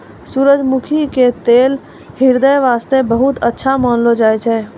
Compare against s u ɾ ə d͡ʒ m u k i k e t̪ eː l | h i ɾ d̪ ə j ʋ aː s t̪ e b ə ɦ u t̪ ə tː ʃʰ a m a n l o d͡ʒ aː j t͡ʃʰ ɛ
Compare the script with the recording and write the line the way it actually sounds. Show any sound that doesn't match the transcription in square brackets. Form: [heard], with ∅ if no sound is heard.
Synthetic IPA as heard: s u ɾ ə d͡ʒ m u [kʰ] i k e t̪ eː l | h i ɾ d̪ ə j ʋ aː s t̪ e b ə ɦ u t̪ ə tː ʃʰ a m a n l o d͡ʒ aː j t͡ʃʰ ɛ